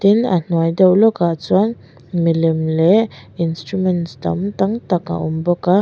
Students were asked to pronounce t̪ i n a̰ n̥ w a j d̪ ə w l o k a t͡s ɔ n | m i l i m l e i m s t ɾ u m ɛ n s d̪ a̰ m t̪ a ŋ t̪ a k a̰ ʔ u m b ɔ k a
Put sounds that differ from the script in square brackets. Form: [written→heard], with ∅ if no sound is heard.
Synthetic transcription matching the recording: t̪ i n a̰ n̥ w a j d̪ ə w l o k a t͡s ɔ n | m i l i m l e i [m→n] s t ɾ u m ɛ n s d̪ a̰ m t̪ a ŋ t̪ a k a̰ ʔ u m b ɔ k a